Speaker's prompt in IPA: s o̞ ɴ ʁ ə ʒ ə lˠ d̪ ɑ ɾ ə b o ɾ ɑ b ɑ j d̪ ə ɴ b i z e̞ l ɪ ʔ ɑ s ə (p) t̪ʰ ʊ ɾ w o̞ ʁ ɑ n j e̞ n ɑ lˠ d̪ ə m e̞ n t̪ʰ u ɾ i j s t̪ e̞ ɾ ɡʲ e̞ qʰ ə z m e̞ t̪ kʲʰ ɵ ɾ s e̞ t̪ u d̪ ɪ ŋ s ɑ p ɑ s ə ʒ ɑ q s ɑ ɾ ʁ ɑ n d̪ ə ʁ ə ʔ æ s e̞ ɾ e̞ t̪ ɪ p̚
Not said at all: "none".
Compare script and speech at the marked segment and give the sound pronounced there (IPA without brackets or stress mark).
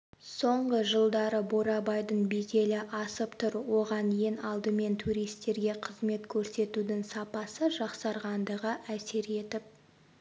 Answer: p